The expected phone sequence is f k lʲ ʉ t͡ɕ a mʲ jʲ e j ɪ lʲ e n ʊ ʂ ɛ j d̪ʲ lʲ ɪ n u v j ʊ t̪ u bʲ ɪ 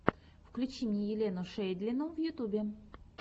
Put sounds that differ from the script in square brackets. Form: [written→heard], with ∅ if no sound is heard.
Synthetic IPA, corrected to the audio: f k lʲ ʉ t͡ɕ [a→i] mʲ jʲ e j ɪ lʲ e n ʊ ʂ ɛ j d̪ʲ lʲ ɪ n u v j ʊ t̪ u bʲ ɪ

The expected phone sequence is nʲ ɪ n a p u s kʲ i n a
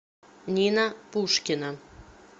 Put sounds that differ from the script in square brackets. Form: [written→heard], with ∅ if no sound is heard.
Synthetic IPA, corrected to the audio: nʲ [ɪ→i] n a p u [s→ʃ] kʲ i n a

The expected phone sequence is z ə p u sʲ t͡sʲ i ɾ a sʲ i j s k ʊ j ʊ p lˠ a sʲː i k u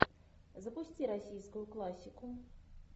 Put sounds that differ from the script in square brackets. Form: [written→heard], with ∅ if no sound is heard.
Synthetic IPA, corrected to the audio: z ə p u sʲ t͡sʲ i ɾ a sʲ i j s k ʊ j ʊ [p→k] lˠ a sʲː i k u

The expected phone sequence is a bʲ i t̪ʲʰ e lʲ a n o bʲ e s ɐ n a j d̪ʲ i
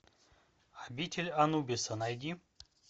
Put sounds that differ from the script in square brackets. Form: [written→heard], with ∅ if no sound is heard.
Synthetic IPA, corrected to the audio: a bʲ i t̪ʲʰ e lʲ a n [o→u] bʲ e s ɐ n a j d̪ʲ i

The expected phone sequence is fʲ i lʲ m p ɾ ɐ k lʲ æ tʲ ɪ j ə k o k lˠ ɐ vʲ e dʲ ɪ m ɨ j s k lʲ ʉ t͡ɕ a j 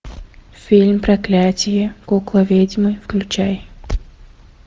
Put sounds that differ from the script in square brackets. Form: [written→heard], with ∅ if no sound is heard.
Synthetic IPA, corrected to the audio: fʲ i lʲ m p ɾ ɐ k lʲ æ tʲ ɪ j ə k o k lˠ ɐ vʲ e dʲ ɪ m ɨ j [s→f] k lʲ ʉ t͡ɕ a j

